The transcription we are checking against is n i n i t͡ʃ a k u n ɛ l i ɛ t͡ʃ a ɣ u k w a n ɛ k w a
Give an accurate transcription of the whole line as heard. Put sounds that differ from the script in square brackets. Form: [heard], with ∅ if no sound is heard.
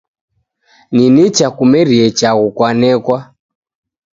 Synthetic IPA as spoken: n i n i t͡ʃ a k u [m] ɛ [ɾ] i ɛ t͡ʃ a ɣ u k w a n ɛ k w a